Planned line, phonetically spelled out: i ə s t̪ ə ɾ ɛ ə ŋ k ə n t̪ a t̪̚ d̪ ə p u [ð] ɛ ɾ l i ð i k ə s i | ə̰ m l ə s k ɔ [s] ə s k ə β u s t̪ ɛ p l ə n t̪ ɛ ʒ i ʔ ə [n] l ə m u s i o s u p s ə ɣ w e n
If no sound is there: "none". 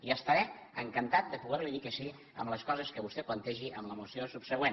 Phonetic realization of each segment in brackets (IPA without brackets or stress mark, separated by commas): ɣ, z, m